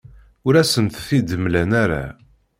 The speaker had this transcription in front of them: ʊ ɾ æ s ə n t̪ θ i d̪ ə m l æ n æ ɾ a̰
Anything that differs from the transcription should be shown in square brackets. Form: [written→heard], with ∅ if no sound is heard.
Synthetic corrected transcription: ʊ ɾ æ s ə n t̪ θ i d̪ ə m l æ n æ ɾ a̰